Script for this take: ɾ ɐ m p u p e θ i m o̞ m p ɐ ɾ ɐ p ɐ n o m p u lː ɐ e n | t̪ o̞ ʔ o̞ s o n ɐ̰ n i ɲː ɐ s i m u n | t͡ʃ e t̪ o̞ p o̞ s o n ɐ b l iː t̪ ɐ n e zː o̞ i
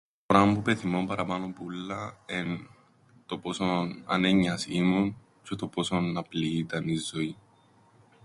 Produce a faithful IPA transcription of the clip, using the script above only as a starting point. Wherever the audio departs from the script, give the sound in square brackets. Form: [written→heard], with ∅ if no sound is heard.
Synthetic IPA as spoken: ɾ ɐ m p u p e θ i m o̞ m p ɐ ɾ ɐ p ɐ n o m p u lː ɐ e n | t̪ o̞ [ʔ→p] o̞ s o n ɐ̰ n [i→e] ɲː ɐ s i m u n | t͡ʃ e t̪ o̞ p o̞ s o n ɐ [b→p] l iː t̪ ɐ n [e→i] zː o̞ i